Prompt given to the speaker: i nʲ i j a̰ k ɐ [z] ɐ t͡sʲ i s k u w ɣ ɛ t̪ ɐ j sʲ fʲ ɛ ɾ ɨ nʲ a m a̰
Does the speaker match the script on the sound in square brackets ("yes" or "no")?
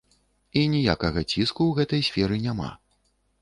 no